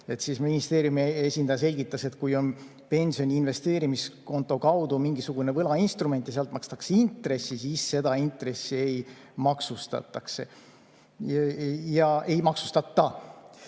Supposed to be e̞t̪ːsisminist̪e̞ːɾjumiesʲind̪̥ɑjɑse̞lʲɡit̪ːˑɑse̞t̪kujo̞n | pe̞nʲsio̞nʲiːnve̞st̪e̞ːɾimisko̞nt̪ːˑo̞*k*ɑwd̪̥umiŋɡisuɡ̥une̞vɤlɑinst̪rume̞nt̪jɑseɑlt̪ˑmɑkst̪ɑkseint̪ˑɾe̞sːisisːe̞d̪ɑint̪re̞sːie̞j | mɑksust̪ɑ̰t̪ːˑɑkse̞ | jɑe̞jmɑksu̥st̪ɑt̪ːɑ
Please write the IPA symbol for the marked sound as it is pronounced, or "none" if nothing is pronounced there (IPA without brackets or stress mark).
k